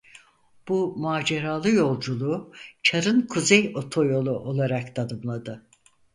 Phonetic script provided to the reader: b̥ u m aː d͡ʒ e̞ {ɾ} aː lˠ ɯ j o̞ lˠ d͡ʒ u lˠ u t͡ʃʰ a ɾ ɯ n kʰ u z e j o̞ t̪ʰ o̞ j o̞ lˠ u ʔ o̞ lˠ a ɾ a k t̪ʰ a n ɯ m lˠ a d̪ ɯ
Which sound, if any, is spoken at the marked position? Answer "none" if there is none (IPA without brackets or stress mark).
ɾ